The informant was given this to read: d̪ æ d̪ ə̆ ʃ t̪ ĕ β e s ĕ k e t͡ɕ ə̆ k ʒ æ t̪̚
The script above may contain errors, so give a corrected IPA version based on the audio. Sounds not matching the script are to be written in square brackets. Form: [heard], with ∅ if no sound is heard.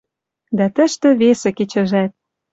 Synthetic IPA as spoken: d̪ æ [t̪] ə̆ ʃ t̪ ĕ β e s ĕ k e t͡ɕ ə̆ [∅] ʒ æ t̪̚